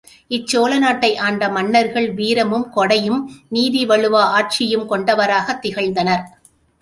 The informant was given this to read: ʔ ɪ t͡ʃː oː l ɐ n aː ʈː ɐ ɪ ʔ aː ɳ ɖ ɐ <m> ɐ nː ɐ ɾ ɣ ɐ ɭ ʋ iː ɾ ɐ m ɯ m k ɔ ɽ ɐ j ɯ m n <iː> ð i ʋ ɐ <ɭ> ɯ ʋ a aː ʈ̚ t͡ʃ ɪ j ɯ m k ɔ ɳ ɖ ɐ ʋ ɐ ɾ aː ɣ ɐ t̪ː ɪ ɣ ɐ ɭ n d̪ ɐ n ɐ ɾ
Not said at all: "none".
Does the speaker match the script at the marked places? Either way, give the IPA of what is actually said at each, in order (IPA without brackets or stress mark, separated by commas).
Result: m, iː, ɭ